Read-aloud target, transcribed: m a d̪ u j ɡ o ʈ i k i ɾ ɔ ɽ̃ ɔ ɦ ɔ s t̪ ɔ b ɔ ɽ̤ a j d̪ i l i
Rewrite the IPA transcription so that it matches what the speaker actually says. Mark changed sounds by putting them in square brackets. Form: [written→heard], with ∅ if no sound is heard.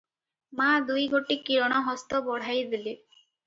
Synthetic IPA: m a d̪ u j ɡ o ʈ i k i ɾ ɔ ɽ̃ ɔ ɦ ɔ s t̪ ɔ b ɔ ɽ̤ a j d̪ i l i